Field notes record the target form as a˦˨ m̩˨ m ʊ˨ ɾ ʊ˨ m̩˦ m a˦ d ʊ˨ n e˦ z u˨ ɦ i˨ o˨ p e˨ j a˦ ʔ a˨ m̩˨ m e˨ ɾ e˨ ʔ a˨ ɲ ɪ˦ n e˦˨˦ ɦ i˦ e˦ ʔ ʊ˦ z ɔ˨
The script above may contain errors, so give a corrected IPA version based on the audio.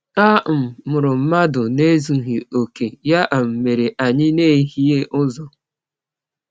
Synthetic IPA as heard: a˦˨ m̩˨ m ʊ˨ ɾ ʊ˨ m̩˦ m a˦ d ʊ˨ n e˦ z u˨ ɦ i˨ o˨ k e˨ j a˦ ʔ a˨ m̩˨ m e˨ ɾ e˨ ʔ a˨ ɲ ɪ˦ n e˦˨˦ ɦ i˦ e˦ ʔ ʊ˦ z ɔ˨

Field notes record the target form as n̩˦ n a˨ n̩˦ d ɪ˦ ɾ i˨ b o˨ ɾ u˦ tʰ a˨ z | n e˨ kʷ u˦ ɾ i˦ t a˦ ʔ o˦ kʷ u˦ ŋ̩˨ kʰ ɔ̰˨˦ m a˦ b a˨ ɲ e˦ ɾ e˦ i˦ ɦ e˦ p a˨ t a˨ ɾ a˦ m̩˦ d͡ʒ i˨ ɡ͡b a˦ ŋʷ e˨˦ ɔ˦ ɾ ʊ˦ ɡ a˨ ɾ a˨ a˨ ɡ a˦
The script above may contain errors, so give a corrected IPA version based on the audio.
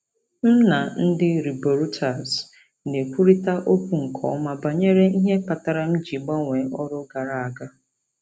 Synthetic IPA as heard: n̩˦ n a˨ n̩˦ d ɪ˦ ɾ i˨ b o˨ ɾ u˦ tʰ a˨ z | n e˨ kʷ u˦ ɾ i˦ t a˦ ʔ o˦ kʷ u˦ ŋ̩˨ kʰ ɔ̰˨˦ m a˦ b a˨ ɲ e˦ ɾ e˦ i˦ ɦ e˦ p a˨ t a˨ ɾ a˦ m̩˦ d͡ʒ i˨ ɡ͡b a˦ ŋʷ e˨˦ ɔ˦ ɾ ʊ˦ ɡ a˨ ɾ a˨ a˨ ɡ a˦

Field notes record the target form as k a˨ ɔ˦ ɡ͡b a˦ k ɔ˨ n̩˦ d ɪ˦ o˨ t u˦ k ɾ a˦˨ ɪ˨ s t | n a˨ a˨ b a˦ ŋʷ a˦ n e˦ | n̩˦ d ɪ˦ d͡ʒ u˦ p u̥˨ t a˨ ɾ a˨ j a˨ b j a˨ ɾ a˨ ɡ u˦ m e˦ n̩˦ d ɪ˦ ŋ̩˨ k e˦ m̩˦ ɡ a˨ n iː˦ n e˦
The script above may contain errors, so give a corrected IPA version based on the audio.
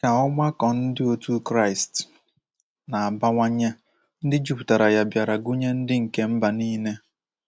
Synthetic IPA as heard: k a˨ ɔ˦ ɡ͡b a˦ k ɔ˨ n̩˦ d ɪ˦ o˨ t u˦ k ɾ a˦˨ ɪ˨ s t | n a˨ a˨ b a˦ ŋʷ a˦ ɲ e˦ | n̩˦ d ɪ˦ d͡ʒ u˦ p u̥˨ t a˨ ɾ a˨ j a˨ b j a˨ ɾ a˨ ɡ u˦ ɲ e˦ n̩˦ d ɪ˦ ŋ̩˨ k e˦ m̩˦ b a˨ n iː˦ n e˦

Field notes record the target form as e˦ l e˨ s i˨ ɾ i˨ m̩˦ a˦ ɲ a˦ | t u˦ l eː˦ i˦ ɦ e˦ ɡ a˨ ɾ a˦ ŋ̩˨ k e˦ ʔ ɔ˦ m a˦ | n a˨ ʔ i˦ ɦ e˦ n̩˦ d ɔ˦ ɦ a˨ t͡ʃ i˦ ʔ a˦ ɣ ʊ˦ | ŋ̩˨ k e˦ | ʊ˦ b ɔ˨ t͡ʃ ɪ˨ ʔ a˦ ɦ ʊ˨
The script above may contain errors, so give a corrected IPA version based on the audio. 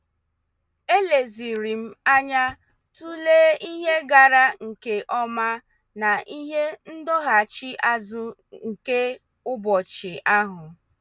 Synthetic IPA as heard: e˦ l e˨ z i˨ ɾ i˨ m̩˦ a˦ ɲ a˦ | t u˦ l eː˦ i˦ ɦ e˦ ɡ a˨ ɾ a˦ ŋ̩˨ k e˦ ʔ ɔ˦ m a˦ | n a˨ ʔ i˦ ɦ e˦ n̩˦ d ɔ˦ ɦ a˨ t͡ʃ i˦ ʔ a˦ z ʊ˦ | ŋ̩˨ k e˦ | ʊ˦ b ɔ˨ t͡ʃ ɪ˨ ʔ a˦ ɦ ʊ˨

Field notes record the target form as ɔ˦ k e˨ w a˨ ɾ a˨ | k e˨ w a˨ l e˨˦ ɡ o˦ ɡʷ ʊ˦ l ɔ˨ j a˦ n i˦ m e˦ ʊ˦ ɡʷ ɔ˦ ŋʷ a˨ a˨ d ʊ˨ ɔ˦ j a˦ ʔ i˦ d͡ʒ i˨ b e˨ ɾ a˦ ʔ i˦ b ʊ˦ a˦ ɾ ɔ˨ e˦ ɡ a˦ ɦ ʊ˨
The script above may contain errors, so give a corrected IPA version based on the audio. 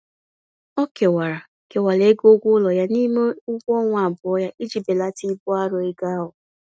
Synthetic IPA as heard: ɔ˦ k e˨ w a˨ ɾ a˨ | k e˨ w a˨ l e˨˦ ɡ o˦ ɡʷ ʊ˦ l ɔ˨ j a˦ n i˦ m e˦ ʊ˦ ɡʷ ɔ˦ ŋʷ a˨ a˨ b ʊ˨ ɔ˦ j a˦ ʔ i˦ d͡ʒ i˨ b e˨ l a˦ t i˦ b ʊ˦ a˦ ɾ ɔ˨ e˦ ɡ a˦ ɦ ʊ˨

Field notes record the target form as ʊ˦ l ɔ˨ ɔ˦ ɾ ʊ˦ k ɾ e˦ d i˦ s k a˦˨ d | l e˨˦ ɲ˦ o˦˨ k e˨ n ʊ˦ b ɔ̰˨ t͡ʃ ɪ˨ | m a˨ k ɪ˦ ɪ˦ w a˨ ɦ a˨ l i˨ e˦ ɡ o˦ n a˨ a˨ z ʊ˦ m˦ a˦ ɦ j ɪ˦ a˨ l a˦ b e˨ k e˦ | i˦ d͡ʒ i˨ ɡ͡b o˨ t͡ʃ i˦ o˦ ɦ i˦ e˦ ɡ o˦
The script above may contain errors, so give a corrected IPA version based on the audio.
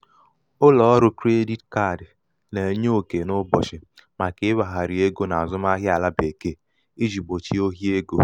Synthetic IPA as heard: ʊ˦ l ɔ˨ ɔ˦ ɾ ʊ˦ k ɾ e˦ d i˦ t k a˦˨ d | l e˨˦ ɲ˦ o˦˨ k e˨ n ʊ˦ b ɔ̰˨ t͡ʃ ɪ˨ | m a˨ k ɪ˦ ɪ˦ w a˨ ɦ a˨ ɾ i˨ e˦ ɡ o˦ n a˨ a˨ z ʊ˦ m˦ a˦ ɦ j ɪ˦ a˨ l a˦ b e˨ k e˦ | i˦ d͡ʒ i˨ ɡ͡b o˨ t͡ʃ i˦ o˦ ɦ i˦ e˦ ɡ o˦

